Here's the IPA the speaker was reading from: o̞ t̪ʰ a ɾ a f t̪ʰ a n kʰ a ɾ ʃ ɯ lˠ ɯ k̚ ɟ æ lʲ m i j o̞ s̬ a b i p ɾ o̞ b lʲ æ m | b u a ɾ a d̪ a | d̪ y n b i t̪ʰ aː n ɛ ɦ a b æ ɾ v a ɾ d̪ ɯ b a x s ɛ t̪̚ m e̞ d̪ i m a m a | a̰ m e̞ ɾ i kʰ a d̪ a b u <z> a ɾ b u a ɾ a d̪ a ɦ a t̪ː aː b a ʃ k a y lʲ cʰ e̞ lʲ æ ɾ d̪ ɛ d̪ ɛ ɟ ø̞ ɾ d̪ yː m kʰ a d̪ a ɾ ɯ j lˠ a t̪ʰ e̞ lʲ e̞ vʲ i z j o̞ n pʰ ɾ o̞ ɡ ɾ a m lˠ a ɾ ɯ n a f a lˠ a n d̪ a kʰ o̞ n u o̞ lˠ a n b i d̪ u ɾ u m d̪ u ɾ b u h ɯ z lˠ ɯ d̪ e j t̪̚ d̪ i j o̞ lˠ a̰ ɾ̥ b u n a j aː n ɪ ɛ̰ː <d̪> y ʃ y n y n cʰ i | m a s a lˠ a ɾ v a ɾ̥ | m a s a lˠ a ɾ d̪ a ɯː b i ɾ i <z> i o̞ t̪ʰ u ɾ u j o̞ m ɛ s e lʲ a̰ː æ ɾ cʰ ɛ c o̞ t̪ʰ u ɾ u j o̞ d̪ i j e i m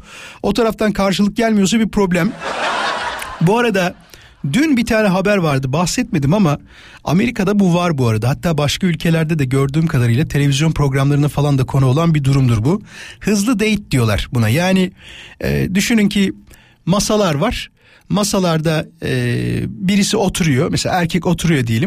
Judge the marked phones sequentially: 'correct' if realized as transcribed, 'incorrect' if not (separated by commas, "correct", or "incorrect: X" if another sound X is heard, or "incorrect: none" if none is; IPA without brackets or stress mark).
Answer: incorrect: v, correct, incorrect: s